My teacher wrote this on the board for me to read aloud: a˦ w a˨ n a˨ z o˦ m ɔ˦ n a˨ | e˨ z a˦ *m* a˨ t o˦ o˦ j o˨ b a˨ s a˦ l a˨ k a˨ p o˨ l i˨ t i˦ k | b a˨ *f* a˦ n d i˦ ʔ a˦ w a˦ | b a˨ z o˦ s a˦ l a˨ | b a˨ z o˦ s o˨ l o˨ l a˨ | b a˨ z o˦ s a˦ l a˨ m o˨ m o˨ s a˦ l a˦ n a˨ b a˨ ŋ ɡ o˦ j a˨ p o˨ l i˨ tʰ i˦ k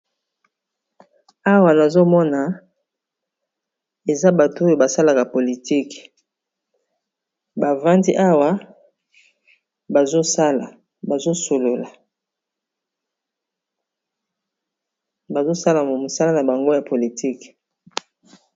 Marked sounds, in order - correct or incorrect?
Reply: incorrect, incorrect

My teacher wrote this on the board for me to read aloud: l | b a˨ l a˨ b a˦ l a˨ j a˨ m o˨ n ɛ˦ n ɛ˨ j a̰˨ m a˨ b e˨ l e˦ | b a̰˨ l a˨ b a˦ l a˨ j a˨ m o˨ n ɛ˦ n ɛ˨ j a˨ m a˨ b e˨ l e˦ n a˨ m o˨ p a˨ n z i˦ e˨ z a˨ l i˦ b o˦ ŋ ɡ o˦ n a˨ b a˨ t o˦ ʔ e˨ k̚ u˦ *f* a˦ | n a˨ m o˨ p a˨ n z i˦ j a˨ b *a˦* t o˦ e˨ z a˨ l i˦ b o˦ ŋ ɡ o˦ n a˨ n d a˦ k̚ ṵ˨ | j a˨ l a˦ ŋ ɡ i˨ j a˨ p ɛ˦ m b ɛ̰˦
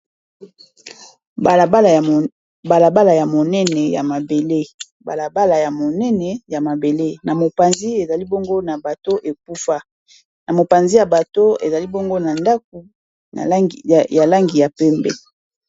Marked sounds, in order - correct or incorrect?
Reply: correct, incorrect

